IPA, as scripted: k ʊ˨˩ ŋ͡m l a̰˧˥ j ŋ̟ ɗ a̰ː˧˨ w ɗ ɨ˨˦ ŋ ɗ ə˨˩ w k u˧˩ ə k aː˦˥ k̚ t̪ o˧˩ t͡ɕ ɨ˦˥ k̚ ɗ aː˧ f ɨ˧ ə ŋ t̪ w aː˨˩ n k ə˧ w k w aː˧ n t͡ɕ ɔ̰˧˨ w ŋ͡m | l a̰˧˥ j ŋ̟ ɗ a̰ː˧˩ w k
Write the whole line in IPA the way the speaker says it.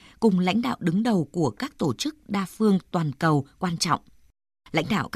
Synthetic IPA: k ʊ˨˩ ŋ͡m l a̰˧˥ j ŋ̟ ɗ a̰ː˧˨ w ɗ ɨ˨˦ ŋ ɗ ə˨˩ w k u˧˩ ə k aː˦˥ k̚ t̪ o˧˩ t͡ɕ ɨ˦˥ k̚ ɗ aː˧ f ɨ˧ ə ŋ t̪ w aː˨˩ n k ə˨˩ w k w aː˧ n t͡ɕ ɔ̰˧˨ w ŋ͡m | l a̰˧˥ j ŋ̟ ɗ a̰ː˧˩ w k